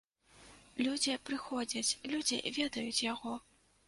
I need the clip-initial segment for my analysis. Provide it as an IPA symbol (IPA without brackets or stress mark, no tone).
lʲ